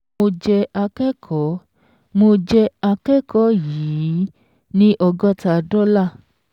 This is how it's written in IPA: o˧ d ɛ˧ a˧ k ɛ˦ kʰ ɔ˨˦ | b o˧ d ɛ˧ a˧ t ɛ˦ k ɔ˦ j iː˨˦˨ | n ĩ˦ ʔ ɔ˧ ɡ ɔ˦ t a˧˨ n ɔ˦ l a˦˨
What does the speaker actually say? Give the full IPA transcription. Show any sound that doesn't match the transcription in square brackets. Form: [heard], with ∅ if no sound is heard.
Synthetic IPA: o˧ [d͡ʒ] ɛ˧ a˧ k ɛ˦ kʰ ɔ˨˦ | [m] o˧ [d͡ʒ] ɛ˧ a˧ [k] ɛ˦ k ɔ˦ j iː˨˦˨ | n ĩ˦ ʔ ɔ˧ ɡ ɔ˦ t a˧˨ [d] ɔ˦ l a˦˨